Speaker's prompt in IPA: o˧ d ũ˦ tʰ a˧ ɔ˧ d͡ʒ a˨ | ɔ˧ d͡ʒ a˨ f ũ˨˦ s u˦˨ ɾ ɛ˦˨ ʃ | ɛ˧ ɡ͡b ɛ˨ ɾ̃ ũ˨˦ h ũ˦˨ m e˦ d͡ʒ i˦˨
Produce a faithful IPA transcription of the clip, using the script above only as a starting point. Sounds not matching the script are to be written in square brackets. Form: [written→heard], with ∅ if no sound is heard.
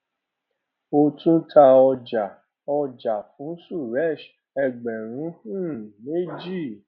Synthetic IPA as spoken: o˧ [d→t] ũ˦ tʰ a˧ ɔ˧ d͡ʒ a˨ | ɔ˧ d͡ʒ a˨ f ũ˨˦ s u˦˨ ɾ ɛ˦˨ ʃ | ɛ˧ ɡ͡b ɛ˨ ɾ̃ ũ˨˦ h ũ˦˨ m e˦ d͡ʒ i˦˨